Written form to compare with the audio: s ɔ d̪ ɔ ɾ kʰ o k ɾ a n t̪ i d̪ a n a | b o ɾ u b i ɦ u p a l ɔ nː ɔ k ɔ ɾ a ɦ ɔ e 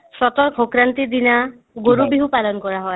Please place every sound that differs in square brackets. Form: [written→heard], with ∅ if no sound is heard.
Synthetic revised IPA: s ɔ [d̪→t̪] ɔ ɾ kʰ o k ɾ a n t̪ i d̪ [a→i] n a | [b→ɡ] o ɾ u b i ɦ u p a l ɔ [nː→n] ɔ k ɔ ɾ a ɦ ɔ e